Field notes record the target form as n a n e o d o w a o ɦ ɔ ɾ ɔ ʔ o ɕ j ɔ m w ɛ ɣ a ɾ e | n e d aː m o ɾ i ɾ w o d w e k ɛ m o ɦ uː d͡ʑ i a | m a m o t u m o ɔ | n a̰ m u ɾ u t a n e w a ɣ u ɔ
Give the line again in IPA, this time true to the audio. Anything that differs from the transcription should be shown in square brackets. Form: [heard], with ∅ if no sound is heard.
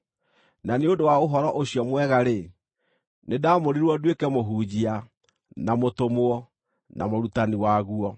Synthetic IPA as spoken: n a n e o d o w a o ɦ ɔ ɾ ɔ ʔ o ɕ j ɔ m w ɛ ɣ a ɾ e | n e d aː m o ɾ i ɾ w [ɔ] d w e k ɛ m o ɦ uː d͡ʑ i a | [n] a m o t [o] m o ɔ | n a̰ m [o] ɾ u t a n [i] w a ɣ u ɔ